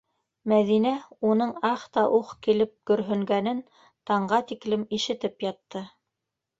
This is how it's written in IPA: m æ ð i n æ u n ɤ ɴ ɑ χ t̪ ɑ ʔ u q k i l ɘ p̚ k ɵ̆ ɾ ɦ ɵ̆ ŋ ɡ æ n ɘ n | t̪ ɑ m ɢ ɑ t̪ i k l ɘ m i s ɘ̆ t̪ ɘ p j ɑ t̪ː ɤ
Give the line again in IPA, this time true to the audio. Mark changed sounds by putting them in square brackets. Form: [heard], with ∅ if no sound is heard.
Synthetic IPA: m æ ð i n æ u n ɤ ɴ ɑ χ t̪ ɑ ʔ u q k i l ɘ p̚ k ɵ̆ ɾ ɦ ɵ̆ ŋ ɡ æ n ɘ n | t̪ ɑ [ɴ] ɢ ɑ t̪ i k l ɘ m i [ʃ] ɘ̆ t̪ ɘ p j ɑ t̪ː ɤ